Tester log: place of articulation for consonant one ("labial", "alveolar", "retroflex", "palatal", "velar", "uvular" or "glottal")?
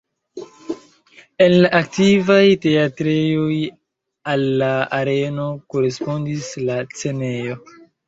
alveolar